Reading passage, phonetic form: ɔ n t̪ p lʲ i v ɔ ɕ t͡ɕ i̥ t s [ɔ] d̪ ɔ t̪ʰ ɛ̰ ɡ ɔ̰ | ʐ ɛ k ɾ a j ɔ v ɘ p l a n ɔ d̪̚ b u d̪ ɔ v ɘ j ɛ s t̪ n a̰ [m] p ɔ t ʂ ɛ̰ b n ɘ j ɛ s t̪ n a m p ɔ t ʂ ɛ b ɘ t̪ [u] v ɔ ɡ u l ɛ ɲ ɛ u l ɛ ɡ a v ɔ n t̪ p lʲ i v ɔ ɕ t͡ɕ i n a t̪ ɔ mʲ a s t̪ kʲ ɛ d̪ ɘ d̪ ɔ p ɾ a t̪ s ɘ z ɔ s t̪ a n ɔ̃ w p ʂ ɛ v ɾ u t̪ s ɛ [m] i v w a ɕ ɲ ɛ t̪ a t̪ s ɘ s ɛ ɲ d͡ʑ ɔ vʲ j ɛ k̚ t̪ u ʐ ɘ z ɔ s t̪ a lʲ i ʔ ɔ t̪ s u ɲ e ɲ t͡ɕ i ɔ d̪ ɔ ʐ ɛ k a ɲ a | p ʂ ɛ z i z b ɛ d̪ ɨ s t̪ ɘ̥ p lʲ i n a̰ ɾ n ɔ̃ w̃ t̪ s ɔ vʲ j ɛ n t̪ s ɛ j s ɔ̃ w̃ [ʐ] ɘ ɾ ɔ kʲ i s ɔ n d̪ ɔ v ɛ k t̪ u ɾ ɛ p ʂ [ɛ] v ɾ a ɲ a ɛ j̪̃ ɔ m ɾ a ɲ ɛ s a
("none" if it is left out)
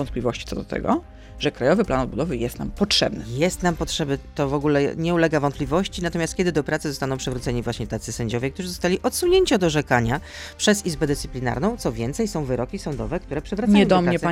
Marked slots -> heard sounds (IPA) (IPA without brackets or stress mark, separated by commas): ɔ, m, ɔ, ɲ, v, ɛ